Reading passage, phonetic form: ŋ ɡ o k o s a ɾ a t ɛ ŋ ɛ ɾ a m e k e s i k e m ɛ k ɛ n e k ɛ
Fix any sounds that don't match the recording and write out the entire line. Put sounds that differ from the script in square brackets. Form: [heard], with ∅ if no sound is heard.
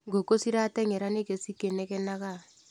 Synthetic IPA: ŋ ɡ o k o s [i] ɾ a t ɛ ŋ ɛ ɾ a [n] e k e s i k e [n] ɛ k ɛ n [a] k [a]